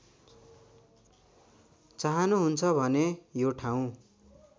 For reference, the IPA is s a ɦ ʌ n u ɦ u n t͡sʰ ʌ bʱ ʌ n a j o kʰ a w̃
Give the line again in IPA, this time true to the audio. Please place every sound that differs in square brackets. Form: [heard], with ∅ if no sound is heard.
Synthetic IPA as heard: [t͡s] a ɦ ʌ n u ɦ u n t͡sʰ ʌ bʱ ʌ n [e] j o [ʈʰ] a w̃